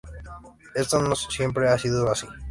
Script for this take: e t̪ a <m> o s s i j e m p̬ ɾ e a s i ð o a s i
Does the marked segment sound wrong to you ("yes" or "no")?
yes